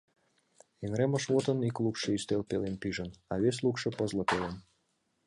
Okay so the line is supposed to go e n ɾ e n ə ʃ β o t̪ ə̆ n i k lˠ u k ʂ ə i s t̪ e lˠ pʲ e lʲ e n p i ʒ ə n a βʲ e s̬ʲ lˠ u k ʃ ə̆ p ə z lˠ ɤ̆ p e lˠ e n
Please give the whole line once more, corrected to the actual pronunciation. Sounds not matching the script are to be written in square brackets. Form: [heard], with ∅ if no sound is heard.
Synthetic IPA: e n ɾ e [m] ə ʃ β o t̪ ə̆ n i k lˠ u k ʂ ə i s t̪ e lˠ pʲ e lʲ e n p i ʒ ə n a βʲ e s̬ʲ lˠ u k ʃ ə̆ p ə z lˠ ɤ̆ p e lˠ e n